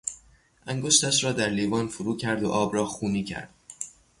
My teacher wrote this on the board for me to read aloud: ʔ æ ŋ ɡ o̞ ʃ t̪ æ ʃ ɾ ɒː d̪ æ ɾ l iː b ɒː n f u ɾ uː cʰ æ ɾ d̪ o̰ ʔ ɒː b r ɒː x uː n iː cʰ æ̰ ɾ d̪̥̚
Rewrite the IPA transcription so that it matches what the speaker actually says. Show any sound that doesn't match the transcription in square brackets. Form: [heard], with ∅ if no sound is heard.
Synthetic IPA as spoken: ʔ æ ŋ ɡ o̞ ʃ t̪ æ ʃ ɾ ɒː d̪ æ ɾ l iː [v] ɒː n f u ɾ uː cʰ æ ɾ d̪ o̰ ʔ ɒː b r ɒː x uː n iː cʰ æ̰ ɾ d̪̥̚